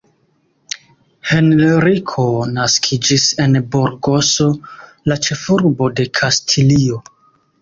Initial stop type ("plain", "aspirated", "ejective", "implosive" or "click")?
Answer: aspirated